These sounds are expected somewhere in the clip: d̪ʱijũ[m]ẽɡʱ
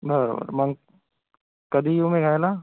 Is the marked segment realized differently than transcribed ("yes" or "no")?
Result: no